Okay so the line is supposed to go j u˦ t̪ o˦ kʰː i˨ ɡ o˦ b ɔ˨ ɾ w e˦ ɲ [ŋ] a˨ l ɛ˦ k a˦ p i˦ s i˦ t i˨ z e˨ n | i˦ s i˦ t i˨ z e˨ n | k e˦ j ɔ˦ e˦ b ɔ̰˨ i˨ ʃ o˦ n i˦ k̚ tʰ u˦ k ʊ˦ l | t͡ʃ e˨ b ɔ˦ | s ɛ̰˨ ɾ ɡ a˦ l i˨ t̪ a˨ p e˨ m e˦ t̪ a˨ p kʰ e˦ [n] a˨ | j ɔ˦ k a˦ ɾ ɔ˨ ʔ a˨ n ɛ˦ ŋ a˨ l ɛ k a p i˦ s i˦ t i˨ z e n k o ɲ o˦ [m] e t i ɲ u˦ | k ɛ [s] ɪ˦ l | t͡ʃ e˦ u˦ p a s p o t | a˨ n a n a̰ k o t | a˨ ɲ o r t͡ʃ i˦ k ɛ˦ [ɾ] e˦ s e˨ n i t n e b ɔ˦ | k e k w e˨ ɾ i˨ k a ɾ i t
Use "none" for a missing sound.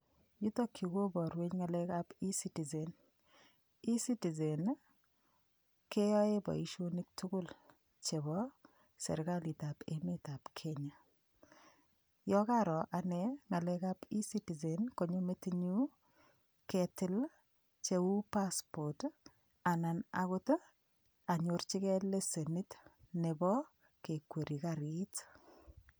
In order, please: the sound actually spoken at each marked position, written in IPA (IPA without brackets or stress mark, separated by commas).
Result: ŋ, ɲ, m, t, l